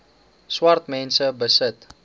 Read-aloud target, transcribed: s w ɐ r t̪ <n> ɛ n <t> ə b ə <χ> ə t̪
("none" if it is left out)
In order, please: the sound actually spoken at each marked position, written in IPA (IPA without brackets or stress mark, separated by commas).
m, s, s